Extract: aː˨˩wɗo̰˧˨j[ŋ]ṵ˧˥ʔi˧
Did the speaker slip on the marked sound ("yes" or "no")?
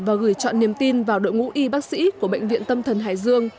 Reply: no